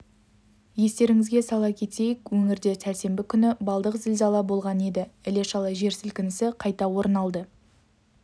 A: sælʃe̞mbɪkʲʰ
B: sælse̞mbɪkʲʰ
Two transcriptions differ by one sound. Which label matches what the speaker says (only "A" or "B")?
B